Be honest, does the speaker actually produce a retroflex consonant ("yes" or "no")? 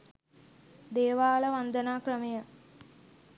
no